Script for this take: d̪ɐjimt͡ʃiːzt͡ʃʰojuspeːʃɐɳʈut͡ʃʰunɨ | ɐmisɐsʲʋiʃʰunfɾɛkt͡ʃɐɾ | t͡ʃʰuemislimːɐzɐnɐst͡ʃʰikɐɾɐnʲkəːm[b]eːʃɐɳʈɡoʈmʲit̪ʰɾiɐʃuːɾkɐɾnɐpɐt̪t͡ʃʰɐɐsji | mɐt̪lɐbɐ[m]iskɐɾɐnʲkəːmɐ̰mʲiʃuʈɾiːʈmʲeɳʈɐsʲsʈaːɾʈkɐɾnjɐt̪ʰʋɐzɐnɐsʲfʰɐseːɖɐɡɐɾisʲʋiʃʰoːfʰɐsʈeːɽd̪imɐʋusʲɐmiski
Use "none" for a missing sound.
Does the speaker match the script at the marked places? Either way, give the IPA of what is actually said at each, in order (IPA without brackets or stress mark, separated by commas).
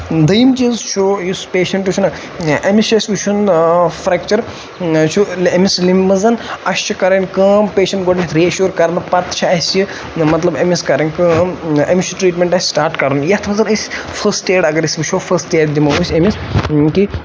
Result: p, m